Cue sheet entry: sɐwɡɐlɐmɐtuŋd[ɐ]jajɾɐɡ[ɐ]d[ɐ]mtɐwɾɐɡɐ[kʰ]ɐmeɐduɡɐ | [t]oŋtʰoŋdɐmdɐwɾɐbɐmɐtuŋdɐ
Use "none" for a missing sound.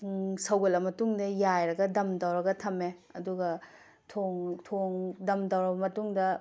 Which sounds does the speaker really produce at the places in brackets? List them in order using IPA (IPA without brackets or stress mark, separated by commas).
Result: ɐ, ɐ, ɐ, tʰ, tʰ